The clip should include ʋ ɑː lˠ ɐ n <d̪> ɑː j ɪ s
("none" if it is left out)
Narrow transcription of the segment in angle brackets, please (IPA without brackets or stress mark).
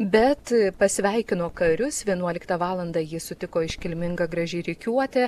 d̪